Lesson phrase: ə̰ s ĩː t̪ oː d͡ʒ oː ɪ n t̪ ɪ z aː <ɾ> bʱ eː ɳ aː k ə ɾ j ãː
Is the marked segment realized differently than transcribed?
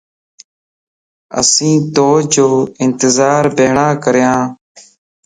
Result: no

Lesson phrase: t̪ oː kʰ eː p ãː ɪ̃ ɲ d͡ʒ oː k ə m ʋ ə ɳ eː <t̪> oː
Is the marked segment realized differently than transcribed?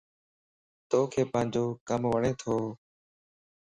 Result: yes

